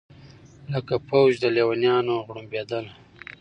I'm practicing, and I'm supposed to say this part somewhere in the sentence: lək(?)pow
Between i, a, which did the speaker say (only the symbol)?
a